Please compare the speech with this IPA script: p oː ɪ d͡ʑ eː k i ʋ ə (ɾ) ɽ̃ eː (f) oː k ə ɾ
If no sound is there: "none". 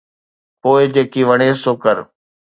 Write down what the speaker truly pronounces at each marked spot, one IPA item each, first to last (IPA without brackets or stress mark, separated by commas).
none, s